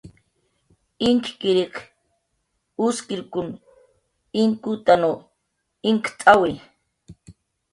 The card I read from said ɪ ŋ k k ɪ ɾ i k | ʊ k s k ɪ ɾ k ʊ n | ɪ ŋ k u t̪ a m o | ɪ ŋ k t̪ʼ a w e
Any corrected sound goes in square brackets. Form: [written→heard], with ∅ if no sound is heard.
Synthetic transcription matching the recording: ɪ ŋ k k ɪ ɾ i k | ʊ [k→∅] s k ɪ ɾ k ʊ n | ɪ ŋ k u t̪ a [m→n] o | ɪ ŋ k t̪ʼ a w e